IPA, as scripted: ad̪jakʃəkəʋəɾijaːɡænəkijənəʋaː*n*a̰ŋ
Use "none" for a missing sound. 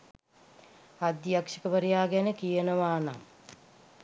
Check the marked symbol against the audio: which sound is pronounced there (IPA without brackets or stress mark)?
n